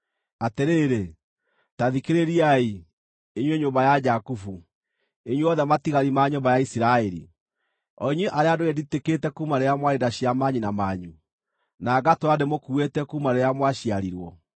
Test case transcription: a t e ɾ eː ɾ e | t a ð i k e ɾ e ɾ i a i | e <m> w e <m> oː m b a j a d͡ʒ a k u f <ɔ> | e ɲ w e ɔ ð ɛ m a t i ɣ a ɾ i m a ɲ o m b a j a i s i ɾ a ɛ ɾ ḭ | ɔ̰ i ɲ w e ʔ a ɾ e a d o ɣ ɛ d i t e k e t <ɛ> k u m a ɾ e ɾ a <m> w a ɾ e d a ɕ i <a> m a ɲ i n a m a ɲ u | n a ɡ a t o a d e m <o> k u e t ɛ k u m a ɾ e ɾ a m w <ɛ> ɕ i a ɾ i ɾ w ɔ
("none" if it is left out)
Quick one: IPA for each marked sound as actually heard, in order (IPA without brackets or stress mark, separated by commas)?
ɲ, ɲ, u, ɛ, m, a, o, a